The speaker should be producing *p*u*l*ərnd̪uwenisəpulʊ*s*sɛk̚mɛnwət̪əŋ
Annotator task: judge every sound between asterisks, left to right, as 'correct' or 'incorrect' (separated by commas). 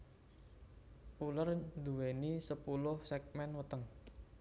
correct, correct, incorrect